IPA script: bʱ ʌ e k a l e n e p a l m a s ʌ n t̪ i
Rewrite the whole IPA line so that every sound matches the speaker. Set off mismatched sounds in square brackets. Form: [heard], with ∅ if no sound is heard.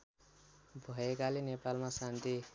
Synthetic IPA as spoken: bʱ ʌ e k a l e n e p a l m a s [a] n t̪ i